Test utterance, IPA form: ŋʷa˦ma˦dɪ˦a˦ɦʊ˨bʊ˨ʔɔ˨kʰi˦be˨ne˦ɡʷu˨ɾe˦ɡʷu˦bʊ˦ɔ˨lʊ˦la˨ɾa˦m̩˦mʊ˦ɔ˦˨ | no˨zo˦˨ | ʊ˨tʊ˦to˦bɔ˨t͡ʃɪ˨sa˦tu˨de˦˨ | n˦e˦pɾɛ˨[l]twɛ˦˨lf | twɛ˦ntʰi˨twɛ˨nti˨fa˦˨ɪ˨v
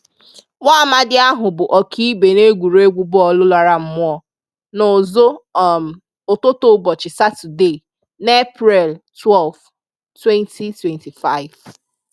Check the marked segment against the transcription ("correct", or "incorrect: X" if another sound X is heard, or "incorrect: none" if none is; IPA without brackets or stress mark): correct